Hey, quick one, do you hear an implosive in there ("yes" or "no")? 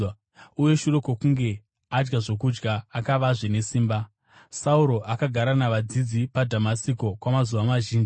no